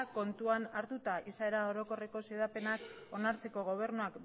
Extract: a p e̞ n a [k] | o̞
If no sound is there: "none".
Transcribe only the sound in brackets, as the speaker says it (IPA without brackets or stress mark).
k